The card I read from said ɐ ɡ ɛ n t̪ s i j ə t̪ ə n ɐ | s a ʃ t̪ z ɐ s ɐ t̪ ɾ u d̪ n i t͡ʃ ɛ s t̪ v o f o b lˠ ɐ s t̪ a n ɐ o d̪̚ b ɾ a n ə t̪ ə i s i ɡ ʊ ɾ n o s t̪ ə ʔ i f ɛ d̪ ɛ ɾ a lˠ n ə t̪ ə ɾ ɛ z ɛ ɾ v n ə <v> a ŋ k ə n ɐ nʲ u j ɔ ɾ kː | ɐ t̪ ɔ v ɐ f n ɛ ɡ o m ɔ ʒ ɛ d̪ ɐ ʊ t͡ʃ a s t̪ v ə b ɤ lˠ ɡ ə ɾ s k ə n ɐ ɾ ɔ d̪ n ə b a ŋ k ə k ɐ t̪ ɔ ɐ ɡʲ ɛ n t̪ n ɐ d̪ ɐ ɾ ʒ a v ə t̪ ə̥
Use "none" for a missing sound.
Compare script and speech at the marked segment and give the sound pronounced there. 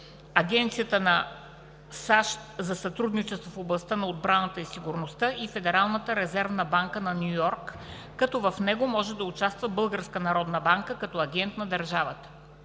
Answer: b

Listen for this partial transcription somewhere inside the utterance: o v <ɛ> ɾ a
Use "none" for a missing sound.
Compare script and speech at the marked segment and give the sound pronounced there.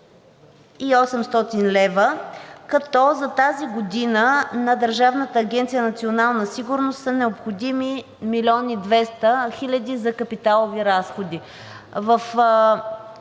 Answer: i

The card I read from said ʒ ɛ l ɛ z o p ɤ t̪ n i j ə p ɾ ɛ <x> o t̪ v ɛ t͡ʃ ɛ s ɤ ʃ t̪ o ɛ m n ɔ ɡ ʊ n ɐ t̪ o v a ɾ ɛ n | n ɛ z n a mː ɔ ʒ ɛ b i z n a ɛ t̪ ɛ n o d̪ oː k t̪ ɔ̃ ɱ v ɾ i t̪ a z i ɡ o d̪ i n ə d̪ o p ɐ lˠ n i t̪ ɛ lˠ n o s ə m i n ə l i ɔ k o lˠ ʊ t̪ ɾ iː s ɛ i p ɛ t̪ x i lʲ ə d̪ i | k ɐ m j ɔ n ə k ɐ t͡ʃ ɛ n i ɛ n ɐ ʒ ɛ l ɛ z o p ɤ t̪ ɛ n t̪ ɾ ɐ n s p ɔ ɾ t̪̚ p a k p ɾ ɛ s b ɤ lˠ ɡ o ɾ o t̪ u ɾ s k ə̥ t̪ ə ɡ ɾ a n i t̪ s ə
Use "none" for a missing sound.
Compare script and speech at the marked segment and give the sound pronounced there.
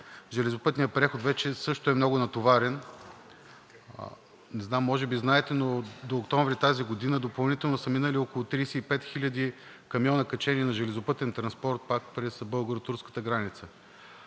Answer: x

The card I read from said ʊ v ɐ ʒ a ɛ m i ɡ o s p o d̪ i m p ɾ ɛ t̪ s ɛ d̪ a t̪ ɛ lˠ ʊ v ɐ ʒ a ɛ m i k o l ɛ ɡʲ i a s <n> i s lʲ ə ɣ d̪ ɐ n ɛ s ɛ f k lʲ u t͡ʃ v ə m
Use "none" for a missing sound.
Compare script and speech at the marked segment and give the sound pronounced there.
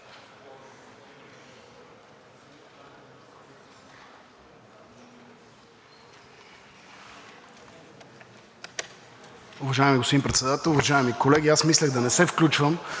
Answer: m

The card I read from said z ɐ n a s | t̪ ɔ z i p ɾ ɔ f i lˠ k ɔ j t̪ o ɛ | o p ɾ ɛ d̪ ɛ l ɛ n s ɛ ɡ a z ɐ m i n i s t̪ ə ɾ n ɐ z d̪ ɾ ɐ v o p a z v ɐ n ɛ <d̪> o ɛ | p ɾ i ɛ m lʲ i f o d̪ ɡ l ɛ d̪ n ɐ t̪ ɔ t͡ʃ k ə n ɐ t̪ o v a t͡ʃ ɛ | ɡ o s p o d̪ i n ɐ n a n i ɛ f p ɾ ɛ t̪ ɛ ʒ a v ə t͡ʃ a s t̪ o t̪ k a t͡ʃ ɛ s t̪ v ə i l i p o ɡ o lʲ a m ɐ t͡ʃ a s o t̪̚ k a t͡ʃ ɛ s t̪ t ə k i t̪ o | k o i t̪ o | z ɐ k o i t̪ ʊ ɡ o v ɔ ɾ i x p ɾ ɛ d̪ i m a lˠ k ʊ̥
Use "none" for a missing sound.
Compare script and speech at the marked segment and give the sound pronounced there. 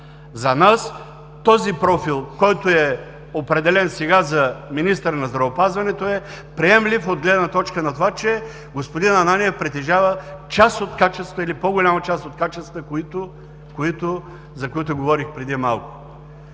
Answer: t̪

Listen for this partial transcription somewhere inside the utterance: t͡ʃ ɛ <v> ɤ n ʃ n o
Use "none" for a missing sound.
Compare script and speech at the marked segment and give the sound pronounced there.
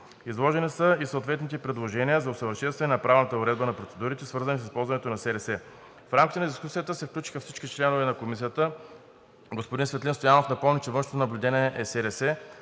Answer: v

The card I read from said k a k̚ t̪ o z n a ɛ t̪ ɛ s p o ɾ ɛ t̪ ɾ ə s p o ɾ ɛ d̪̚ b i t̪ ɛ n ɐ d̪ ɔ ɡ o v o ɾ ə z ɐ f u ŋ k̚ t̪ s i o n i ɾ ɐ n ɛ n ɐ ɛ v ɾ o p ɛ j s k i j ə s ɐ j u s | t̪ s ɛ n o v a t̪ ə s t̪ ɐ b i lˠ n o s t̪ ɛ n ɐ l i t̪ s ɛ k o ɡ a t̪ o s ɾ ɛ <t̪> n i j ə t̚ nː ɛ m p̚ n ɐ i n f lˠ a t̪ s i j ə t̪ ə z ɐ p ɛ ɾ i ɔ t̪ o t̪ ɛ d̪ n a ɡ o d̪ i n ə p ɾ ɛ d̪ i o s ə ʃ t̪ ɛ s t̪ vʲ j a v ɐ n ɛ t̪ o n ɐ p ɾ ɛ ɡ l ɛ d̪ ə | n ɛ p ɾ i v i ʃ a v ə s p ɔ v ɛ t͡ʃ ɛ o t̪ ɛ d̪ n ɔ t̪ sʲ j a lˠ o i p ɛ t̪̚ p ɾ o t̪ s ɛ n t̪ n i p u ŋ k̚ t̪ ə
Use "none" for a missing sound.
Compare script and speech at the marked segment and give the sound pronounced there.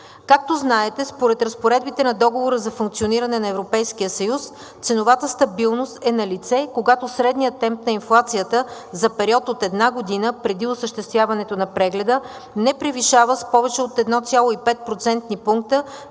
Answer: d̪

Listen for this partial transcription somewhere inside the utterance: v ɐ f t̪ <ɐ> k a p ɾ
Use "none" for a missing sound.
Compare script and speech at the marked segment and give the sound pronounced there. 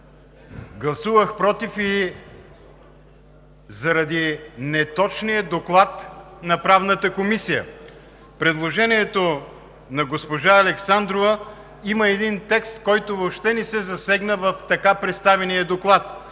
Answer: ɐ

